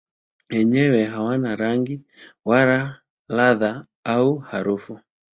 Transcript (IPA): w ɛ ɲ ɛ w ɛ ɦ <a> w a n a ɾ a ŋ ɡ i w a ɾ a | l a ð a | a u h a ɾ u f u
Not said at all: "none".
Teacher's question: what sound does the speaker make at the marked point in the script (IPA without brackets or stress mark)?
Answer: a